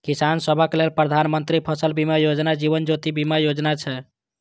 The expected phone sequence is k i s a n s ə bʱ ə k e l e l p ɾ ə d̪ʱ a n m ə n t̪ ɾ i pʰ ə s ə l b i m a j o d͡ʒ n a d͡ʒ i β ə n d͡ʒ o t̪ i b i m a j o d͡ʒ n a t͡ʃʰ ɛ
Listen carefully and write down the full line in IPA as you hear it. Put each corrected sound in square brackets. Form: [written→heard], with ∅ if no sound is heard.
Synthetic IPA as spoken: k i s a n s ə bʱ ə k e l e l p ɾ ə d̪ʱ a n m ə n t̪ ɾ i pʰ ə s ə l b i m a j o d͡ʒ n a d͡ʒ i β ə n d͡ʒ o t̪ i b i m a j o d͡ʒ n a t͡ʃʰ ɛ